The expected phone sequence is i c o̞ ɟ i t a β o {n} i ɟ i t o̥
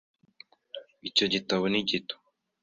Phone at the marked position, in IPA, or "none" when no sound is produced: n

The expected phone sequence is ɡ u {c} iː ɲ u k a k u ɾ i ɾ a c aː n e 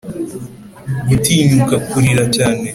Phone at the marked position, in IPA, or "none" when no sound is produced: t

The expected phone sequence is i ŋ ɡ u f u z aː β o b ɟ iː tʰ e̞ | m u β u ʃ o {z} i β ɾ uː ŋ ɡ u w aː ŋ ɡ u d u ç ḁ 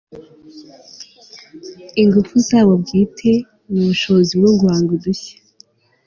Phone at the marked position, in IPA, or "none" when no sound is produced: z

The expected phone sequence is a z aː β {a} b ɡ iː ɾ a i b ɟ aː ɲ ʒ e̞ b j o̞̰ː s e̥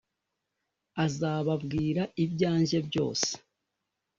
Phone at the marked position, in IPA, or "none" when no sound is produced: a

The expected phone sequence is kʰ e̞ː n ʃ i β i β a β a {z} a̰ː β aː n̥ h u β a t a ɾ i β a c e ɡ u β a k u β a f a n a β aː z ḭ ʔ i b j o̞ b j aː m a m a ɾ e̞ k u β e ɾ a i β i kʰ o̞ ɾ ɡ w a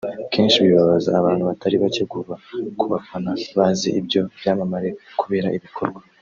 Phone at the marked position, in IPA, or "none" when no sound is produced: z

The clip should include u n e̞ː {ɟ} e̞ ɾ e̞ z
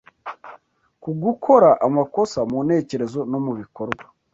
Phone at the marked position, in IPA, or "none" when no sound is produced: c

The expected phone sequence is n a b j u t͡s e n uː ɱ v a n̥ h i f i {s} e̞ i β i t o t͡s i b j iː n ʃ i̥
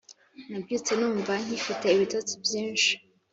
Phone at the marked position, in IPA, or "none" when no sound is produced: t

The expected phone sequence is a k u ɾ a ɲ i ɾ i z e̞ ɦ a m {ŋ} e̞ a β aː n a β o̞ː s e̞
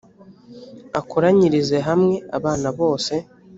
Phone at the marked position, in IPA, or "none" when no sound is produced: ŋ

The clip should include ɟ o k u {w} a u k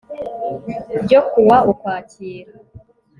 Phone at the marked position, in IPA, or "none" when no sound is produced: w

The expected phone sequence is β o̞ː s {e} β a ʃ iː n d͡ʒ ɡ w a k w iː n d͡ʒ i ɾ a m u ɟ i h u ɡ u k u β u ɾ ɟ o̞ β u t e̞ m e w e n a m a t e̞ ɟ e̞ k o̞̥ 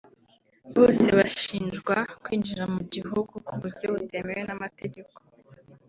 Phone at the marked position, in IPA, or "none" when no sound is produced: e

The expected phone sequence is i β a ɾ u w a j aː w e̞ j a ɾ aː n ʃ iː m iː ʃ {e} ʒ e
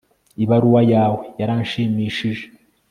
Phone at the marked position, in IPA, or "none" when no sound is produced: i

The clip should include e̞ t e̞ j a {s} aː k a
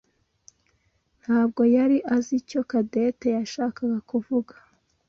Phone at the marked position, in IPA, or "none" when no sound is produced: ʃ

